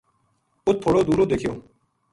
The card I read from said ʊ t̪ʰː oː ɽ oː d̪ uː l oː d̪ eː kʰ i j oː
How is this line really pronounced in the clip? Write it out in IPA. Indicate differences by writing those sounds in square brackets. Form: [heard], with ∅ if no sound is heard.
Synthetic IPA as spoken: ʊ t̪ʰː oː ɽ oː d̪ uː [ɾ] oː d̪ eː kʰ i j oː